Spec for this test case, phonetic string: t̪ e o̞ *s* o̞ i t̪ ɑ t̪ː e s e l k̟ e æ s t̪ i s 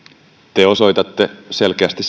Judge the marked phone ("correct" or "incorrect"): correct